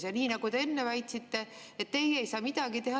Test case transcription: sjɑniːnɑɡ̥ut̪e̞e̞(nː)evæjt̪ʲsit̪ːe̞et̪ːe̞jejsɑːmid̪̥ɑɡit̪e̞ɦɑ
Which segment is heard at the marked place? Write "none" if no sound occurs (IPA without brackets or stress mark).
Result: nː